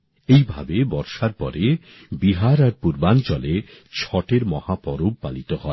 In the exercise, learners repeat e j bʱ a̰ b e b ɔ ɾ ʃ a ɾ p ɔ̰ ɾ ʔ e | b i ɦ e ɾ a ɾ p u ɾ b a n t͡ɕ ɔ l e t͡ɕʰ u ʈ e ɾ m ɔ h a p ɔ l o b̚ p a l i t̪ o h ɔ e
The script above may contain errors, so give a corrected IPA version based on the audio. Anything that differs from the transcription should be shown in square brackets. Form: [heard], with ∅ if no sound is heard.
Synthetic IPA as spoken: e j bʱ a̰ b e b ɔ ɾ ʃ a ɾ p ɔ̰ ɾ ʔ e | b i ɦ [a] ɾ a ɾ p u ɾ b a n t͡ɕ ɔ l e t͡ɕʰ [ɔ] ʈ e ɾ m ɔ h a p ɔ [ɾ] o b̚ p a l i t̪ o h ɔ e